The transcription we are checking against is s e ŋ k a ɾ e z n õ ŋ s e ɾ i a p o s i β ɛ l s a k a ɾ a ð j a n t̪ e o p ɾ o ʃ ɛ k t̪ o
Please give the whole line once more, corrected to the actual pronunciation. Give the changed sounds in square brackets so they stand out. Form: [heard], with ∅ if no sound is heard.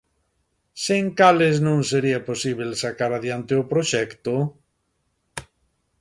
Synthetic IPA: s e ŋ k a [l] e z n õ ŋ s e ɾ i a p o s i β [e] l s a k a ɾ a ð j a n t̪ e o p ɾ o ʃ ɛ k t̪ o